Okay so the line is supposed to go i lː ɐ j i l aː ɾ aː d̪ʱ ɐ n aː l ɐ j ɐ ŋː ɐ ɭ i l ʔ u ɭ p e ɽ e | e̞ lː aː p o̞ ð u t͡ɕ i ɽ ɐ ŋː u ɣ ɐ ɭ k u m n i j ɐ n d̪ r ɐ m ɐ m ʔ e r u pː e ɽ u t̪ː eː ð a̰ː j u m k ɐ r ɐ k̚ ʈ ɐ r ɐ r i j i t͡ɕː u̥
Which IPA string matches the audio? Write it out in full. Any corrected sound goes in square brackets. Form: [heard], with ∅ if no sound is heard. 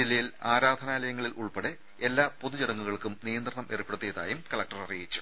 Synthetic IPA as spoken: i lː ɐ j i l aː ɾ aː d̪ʱ ɐ n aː l ɐ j ɐ ŋː ɐ ɭ i l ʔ u ɭ p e ɽ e | e̞ lː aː p o̞ ð u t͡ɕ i ɽ ɐ ŋː u ɣ ɐ ɭ k u m n i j ɐ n d̪ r ɐ [ɳ] ɐ m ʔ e r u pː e ɽ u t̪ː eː ð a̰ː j u m k ɐ [ɭ] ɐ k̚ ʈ ɐ r ɐ r i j i t͡ɕː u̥

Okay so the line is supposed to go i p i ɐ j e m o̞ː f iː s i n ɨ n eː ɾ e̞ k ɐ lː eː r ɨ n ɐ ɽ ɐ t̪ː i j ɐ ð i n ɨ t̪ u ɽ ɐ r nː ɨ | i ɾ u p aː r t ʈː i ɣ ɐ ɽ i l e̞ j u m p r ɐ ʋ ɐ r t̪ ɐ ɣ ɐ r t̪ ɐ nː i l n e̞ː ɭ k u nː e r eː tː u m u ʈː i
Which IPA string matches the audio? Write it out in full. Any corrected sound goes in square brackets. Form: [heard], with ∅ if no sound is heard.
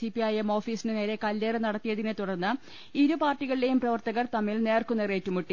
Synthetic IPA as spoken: i p i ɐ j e m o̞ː f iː s i n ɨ n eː ɾ e̞ k ɐ lː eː r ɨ n ɐ ɽ ɐ t̪ː i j ɐ ð i n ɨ t̪ u ɽ ɐ r nː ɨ | i ɾ u p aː r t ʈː i ɣ ɐ [ɭ] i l e̞ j u m p r ɐ ʋ ɐ r t̪ ɐ ɣ ɐ r t̪ ɐ [mː] i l n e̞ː [r] k u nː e r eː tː u m u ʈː i

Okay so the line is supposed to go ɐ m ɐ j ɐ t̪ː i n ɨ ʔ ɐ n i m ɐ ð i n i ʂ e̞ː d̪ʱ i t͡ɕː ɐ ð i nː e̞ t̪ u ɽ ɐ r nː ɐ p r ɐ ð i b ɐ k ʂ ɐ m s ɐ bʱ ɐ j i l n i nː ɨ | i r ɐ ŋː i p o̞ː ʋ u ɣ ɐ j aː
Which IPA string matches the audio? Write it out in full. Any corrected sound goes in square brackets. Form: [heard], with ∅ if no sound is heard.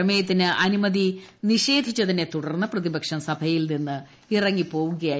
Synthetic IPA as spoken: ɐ m ɐ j ɐ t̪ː i n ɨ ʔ ɐ n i m ɐ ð i n i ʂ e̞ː d̪ʱ i t͡ɕː ɐ ð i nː e̞ t̪ u ɽ ɐ r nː ɐ p r ɐ ð i b ɐ k ʂ ɐ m s ɐ bʱ ɐ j i l n i nː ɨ | i r ɐ ŋː i p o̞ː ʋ u ɣ ɐ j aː

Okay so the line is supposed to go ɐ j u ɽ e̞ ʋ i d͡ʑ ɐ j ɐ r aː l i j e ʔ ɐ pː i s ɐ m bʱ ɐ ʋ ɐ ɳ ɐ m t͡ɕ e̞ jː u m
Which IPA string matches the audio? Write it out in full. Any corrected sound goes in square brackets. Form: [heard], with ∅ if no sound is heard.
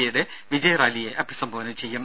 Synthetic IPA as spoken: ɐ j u ɽ e̞ ʋ i d͡ʑ ɐ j ɐ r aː l i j e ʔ ɐ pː i s ɐ m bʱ ɐ ʋ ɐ [n] ɐ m t͡ɕ e̞ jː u m

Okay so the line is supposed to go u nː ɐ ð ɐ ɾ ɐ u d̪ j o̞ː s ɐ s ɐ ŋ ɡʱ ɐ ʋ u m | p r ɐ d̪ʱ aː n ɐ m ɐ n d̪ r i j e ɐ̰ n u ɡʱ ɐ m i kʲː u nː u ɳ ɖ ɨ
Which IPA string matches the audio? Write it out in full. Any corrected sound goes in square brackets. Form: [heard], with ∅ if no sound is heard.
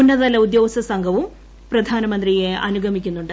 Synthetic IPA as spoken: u nː ɐ ð ɐ [l] ɐ u d̪ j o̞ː s ɐ s ɐ ŋ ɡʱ ɐ ʋ u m | p r ɐ d̪ʱ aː n ɐ m ɐ n d̪ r i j e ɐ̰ n u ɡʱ ɐ m i kʲː u nː u ɳ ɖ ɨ

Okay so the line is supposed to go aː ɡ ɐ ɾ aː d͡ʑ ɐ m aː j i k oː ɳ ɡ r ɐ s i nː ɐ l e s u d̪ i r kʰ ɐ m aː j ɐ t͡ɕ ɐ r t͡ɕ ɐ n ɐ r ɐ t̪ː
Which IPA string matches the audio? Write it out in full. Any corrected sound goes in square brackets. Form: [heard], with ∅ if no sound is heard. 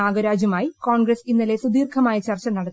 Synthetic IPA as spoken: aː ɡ ɐ ɾ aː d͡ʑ ɐ m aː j i k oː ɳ ɡ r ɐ s i nː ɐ l e s u d̪ [iː] r kʰ ɐ m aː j ɐ t͡ɕ ɐ r t͡ɕ ɐ n ɐ [ɽ] ɐ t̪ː

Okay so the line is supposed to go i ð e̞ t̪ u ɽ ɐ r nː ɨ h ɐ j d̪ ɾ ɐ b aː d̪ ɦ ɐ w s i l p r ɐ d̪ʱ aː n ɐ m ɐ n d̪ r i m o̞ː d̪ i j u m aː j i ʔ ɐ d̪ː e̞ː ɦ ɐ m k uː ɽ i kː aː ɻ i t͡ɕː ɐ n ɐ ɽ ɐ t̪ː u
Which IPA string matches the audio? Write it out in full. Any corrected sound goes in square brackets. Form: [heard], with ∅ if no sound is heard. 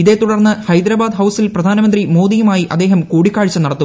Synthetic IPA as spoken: i ð e̞ t̪ u ɽ ɐ r nː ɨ h ɐ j d̪ ɾ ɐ b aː d̪ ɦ ɐ w s i l p r ɐ d̪ʱ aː n ɐ m ɐ n d̪ r i m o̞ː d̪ i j u m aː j i ʔ ɐ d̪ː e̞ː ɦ ɐ m k uː ɽ i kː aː ɻ i t͡ɕː ɐ n ɐ ɽ ɐ t̪ː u

